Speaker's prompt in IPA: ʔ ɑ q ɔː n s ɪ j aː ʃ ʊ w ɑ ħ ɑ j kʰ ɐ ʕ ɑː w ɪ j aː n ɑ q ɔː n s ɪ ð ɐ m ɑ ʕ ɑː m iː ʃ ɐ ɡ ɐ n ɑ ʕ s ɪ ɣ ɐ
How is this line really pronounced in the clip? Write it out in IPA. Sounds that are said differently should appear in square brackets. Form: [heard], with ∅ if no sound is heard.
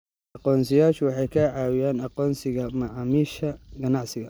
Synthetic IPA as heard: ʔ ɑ q ɔː n s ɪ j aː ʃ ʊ w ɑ ħ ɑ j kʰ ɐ ʕ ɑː w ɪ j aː n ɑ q ɔː n s ɪ [ɣ] ɐ m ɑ ʕ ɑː m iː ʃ ɐ ɡ ɐ n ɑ ʕ s ɪ ɣ ɐ